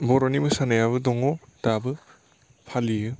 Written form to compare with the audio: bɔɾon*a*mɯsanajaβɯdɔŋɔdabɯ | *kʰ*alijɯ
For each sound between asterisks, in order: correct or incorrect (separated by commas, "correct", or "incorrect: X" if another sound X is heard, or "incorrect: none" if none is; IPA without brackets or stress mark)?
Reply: incorrect: i, incorrect: pʰ